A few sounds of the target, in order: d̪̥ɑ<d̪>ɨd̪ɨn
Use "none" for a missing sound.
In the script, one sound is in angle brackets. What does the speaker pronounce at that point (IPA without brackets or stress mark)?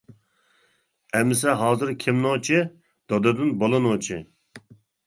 d̪